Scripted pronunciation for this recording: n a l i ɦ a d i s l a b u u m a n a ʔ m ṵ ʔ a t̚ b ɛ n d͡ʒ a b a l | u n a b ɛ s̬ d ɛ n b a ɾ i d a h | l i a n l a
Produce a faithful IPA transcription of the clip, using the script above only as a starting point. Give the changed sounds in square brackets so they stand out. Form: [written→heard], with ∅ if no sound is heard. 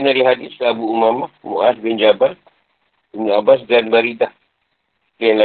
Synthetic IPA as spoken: n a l i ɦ a d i s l a b u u m a [n→m] a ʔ m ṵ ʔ a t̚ b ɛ n d͡ʒ a b a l | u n a b [ɛ→a] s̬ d [ɛ→a] n b a ɾ i d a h | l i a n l a